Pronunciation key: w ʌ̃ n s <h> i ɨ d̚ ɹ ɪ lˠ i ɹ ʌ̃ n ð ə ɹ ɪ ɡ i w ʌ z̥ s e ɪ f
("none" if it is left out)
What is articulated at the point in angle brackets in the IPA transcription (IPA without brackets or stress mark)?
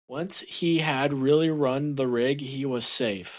h